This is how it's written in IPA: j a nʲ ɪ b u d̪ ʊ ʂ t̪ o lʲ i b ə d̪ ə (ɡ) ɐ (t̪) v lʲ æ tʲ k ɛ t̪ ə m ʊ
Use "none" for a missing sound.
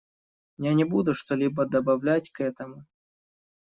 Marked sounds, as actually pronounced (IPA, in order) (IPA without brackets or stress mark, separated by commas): b, none